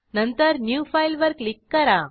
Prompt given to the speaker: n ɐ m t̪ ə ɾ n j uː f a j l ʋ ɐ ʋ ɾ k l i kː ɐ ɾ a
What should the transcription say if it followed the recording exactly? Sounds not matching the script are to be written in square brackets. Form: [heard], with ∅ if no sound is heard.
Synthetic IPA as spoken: n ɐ [n] t̪ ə ɾ n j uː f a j l ʋ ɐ [∅] ɾ k l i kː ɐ ɾ a